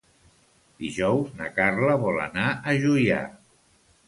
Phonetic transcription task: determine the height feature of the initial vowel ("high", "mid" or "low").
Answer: high